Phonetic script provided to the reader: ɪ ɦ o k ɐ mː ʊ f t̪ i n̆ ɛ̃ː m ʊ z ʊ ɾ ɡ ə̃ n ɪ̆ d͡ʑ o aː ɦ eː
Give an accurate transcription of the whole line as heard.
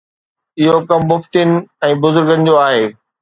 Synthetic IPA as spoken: ɪ ɦ o k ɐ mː ʊ f t̪ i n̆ ɛ̃ː b ʊ z ʊ ɾ ɡ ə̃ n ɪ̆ d͡ʑ o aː ɦ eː

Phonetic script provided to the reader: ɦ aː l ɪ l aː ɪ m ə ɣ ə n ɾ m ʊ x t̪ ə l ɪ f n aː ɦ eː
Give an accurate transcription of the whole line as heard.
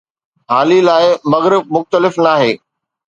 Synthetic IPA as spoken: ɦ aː l i l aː ɪ m ɐ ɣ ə ɾ m ʊ x t̪ ə l ɪ f n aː ɦ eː

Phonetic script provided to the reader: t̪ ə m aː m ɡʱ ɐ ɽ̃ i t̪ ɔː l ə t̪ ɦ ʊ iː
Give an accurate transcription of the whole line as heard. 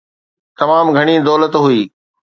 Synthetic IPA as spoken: t̪ ɐ m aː m ɡʱ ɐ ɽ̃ i d̪ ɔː l ə t̪ ɦ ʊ iː

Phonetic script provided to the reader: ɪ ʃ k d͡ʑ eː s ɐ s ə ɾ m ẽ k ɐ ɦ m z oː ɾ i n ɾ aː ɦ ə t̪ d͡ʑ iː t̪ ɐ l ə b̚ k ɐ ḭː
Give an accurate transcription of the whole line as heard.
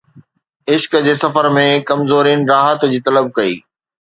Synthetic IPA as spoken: ɪ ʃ k d͡ʑ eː s ɐ f ə ɾ m ẽ k ɐ m z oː ɾ i n ɾ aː ɦ ə t̪ d͡ʑ iː t̪ ɐ l ə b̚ k ɐ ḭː

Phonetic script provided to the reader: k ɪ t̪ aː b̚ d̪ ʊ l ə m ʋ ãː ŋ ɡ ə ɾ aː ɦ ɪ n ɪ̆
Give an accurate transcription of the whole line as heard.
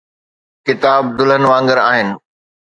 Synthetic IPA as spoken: k ɪ t̪ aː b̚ d̪ ʊ l ə n ʋ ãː ŋ ɡ ə ɾ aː ɦ ɪ n ɪ̆

